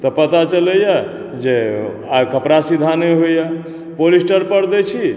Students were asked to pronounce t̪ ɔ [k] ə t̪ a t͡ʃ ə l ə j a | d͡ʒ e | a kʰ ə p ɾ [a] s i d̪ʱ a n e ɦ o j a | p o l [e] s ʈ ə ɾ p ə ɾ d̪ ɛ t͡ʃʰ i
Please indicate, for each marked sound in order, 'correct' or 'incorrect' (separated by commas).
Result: incorrect, correct, incorrect